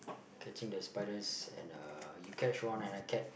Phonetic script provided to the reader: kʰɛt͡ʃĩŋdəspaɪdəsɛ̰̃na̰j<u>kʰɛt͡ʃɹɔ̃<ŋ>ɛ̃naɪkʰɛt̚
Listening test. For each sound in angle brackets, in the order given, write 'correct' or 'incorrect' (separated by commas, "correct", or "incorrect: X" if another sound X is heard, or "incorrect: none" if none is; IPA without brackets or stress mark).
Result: correct, incorrect: n